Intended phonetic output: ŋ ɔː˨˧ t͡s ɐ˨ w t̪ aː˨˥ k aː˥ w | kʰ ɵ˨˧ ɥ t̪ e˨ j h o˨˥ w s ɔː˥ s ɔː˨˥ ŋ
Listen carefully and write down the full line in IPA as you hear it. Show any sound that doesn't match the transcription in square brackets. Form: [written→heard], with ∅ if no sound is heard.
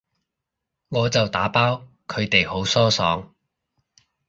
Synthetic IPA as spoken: ŋ ɔː˨˧ t͡s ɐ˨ w t̪ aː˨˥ [k→p] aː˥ w | kʰ ɵ˨˧ ɥ t̪ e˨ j h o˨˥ w s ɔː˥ s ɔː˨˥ ŋ